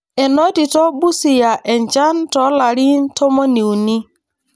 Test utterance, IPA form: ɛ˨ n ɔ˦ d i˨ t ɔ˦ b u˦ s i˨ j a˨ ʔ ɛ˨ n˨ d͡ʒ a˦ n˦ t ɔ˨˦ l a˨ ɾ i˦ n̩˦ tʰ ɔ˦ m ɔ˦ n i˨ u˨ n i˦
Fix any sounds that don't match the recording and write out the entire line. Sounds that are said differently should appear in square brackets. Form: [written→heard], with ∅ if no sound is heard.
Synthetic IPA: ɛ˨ n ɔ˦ d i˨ t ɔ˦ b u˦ s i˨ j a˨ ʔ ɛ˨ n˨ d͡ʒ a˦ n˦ t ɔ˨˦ l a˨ ɾ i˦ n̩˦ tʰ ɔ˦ m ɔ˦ n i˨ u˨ n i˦